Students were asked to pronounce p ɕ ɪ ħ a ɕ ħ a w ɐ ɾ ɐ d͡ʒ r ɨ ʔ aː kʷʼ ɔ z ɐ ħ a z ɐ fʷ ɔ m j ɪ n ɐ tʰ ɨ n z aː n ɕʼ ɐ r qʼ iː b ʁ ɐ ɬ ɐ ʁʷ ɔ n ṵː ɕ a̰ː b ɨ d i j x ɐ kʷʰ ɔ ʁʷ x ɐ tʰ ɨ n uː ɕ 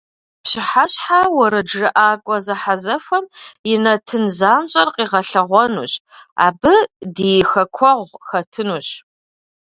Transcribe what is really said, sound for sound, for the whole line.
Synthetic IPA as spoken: p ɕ ɪ ħ a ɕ ħ a w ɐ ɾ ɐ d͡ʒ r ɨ ʔ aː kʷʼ ɔ z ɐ ħ a z ɐ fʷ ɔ m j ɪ n ɐ tʰ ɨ n z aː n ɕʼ ɐ r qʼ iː ʁ ɐ ɬ ɐ ʁʷ ɔ n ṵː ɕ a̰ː b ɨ d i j x ɐ kʷʰ ɔ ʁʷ x ɐ tʰ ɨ n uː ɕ